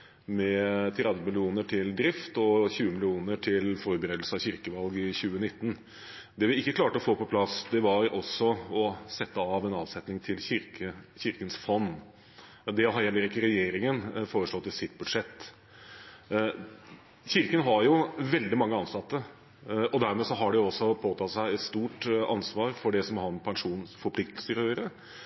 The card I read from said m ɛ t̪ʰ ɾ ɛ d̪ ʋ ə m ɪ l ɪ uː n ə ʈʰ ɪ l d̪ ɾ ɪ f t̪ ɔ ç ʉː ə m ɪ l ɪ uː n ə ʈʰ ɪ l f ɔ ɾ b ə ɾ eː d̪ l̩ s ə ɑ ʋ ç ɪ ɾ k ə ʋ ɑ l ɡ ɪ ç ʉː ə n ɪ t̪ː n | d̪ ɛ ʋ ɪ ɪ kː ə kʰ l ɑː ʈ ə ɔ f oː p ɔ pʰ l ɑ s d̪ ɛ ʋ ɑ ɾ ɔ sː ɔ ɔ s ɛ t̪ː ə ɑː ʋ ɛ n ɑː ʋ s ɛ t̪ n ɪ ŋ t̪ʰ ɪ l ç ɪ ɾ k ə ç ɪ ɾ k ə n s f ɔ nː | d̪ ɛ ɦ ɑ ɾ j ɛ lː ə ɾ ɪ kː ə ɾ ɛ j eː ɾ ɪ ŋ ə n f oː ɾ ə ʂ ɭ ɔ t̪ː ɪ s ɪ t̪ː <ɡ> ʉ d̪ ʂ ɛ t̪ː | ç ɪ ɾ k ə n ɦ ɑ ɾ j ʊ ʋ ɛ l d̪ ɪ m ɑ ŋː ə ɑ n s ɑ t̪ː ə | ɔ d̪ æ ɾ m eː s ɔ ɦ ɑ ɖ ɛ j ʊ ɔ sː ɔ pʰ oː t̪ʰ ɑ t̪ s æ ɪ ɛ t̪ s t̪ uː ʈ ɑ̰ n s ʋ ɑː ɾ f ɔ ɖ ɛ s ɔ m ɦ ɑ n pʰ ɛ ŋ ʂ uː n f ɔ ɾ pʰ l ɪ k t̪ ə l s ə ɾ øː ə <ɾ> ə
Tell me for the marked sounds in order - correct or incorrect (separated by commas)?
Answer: incorrect, correct